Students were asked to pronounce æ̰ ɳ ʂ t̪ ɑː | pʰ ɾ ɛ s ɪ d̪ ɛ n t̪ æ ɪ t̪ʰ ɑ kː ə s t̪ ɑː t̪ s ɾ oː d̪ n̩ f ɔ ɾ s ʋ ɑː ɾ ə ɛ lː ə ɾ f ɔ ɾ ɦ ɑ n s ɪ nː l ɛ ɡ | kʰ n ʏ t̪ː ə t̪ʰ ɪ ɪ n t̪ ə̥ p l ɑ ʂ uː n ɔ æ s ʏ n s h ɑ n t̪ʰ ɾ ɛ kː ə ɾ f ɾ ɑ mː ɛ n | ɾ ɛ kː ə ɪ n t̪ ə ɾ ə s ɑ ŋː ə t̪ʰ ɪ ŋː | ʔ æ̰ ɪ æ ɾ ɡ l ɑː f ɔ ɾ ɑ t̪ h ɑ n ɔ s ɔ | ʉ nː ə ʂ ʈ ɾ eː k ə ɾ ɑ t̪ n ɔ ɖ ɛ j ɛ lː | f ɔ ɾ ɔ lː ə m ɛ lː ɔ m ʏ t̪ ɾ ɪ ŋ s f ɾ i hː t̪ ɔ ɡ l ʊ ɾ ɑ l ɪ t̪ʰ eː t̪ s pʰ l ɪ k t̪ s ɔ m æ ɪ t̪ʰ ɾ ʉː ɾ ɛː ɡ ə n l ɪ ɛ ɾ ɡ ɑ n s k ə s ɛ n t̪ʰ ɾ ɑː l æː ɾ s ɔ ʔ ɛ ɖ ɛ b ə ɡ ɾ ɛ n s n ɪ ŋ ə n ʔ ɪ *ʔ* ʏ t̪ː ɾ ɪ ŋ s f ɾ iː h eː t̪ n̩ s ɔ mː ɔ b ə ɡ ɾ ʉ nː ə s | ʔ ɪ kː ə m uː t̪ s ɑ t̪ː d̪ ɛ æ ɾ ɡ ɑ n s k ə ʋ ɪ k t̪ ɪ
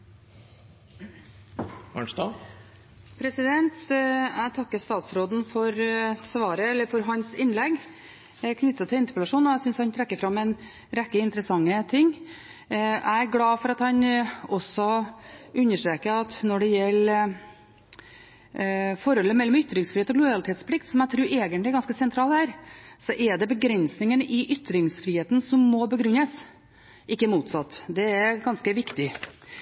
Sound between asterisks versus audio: correct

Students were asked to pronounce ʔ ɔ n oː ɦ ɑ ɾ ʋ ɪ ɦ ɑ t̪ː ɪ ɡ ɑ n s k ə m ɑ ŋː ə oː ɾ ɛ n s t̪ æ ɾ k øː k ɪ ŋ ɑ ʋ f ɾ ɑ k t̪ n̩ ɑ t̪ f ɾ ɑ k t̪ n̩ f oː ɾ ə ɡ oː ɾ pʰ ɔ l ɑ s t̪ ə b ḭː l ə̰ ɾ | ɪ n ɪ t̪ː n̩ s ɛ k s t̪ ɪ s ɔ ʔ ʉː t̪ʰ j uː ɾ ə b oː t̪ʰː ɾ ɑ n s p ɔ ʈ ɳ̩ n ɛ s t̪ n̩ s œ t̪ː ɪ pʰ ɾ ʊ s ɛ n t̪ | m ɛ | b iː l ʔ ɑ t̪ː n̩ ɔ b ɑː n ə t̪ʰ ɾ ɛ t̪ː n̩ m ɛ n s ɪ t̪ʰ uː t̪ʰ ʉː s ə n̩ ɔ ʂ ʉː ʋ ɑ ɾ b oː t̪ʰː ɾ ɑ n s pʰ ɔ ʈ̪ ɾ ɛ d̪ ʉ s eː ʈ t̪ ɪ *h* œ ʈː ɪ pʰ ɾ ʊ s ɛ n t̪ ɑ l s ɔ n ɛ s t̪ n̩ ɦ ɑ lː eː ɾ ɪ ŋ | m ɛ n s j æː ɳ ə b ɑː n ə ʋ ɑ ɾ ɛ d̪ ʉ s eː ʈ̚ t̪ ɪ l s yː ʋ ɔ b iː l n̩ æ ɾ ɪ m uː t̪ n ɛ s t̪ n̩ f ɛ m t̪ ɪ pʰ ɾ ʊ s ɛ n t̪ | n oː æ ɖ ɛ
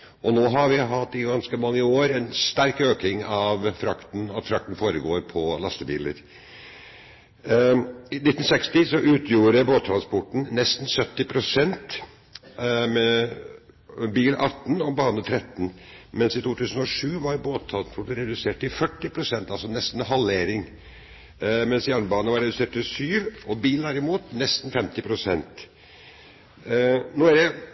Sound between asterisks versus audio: incorrect: f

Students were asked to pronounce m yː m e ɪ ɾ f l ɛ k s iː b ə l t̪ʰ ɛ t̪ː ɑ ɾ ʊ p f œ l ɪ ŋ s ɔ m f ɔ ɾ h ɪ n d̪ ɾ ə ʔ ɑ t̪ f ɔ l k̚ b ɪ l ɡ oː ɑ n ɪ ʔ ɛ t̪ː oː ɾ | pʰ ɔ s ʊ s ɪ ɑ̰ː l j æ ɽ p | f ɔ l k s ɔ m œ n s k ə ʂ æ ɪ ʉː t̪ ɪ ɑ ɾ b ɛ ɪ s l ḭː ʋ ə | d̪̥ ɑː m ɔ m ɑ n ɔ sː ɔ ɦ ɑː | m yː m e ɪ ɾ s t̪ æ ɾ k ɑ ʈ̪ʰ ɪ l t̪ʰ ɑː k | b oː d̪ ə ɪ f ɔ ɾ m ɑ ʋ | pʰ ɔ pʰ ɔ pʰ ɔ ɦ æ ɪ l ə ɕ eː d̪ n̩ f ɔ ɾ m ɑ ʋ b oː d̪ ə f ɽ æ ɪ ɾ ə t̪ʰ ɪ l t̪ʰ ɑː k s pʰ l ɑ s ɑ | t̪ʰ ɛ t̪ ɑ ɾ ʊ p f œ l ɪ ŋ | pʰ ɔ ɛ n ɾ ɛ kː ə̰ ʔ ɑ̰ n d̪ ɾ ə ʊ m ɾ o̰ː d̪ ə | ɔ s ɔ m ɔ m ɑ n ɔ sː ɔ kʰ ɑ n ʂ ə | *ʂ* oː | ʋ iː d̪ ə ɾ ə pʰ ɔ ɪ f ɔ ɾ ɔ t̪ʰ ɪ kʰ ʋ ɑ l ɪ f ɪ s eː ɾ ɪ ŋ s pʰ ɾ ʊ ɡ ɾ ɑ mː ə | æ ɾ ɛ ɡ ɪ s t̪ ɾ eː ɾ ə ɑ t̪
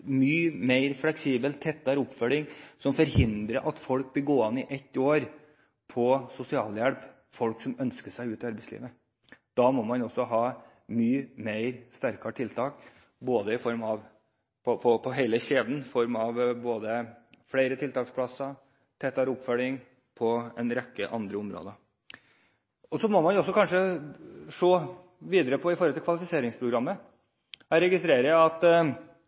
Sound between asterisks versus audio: correct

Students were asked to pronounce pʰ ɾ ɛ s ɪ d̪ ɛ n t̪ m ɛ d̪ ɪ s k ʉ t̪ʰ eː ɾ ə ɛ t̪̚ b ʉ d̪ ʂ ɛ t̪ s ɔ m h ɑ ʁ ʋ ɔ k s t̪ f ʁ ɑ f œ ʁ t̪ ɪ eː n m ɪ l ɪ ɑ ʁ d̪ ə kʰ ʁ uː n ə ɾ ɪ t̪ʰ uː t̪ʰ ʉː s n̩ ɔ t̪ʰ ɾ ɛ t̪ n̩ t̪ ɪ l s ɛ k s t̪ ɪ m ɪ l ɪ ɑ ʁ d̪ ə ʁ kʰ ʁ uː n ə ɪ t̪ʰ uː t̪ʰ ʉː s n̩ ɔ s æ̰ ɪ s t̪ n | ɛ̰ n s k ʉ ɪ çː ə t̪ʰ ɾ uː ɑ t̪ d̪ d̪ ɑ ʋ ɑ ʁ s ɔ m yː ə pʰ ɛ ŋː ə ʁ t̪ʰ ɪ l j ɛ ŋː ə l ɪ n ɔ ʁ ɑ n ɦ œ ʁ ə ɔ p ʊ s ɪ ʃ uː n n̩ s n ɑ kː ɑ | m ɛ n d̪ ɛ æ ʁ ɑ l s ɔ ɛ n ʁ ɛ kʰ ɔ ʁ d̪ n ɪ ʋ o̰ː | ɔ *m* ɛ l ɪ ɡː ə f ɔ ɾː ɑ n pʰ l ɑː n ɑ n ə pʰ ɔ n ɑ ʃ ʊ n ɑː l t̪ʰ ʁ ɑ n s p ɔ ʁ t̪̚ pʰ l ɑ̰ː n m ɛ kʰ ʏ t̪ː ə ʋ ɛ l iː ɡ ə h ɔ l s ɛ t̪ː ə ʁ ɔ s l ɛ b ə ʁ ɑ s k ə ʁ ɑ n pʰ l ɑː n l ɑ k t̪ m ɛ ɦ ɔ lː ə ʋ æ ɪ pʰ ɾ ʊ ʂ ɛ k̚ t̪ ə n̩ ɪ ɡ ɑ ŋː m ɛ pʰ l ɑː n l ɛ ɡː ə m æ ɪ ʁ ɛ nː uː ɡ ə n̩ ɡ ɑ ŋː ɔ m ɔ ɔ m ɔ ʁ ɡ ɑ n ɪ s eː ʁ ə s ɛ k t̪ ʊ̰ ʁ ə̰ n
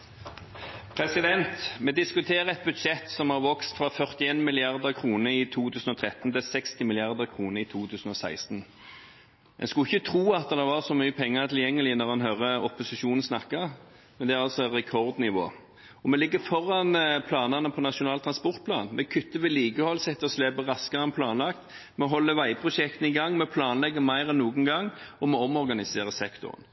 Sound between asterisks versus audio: correct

